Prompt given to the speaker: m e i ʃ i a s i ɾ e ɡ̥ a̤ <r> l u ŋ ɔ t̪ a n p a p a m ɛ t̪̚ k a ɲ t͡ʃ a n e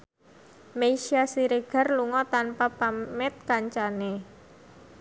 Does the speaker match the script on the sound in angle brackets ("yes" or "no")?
yes